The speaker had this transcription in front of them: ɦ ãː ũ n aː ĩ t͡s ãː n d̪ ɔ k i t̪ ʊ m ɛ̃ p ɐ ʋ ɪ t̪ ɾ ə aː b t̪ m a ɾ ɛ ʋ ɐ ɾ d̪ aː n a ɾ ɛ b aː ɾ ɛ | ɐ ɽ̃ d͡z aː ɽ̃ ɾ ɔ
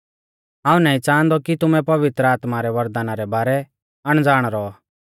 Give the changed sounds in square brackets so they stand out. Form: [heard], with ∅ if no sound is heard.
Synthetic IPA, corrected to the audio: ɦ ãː ũ n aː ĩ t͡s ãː n d̪ ɔ k i t̪ ʊ m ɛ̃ p ɐ ʋ ɪ t̪ ɾ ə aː [∅] t̪ m a ɾ ɛ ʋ ɐ ɾ d̪ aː n a ɾ ɛ b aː ɾ ɛ | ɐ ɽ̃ d͡z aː ɽ̃ ɾ ɔ

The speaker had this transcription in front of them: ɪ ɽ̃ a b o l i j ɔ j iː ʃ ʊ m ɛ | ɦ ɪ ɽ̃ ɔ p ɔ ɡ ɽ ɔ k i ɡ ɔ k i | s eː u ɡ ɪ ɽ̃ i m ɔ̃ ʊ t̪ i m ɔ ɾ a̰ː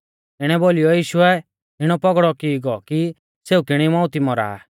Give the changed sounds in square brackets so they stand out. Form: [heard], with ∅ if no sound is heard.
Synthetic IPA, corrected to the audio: ɪ ɽ̃ [ɛ] b o l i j ɔ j iː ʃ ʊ [∅] ɛ | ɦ ɪ ɽ̃ ɔ p ɔ ɡ ɽ ɔ k i ɡ ɔ k i | s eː u [k] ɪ ɽ̃ i m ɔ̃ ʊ t̪ i m ɔ ɾ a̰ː

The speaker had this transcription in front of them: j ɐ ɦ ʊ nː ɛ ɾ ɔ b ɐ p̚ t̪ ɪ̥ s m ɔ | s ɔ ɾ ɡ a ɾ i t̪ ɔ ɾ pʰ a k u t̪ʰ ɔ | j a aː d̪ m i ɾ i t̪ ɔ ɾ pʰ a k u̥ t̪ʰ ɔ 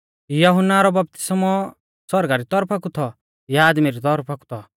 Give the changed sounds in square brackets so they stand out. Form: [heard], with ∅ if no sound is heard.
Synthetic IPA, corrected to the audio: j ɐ ɦ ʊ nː [a] ɾ ɔ b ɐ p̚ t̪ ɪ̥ s m ɔ | s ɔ ɾ ɡ a ɾ i t̪ ɔ ɾ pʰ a k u t̪ʰ ɔ | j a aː d̪ m i ɾ i t̪ ɔ ɾ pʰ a k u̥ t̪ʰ ɔ

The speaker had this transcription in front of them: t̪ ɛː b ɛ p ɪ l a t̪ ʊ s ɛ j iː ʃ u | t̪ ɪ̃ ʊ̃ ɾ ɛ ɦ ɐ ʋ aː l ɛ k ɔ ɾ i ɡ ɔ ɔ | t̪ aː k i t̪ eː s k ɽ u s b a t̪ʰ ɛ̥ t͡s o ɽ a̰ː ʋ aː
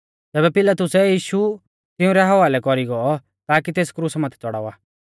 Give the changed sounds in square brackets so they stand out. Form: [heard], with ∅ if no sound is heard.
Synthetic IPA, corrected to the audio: t̪ ɛː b ɛ p ɪ l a t̪ ʊ s ɛ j iː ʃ u | t̪ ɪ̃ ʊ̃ ɾ ɛ ɦ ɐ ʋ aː l ɛ k ɔ ɾ i ɡ ɔ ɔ | t̪ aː k i t̪ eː s k [ɾ] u s [m] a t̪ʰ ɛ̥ t͡s [ɔ] ɽ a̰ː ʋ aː

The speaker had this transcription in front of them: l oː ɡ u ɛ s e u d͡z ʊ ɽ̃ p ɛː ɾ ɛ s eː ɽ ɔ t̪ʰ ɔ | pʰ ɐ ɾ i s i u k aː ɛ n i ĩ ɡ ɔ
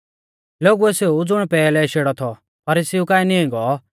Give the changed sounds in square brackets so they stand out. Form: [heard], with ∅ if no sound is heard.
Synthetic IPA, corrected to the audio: l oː ɡ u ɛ s e u d͡z ʊ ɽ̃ p ɛː [l] ɛ [ʃ] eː ɽ ɔ t̪ʰ ɔ | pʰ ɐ ɾ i s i u k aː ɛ n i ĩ ɡ ɔ

